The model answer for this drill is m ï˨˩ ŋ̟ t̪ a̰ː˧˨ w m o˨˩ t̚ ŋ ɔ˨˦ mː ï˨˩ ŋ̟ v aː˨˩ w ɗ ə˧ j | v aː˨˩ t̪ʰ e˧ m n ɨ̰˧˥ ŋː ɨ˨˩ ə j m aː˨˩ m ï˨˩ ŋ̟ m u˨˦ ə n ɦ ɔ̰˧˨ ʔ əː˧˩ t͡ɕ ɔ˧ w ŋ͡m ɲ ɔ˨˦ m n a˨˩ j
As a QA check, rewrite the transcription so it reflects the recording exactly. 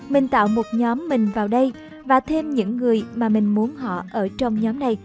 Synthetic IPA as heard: m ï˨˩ ŋ̟ t̪ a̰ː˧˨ w m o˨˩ t̚ ɲ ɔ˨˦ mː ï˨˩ ŋ̟ v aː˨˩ w ɗ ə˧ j | v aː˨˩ t̪ʰ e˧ m ɲ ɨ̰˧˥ ŋː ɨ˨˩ ə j m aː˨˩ m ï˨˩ ŋ̟ m u˨˦ ə n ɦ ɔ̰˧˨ ʔ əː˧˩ t͡ɕ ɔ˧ w ŋ͡m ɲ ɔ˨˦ m n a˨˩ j